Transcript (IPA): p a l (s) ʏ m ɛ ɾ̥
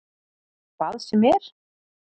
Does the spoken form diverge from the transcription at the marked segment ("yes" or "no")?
no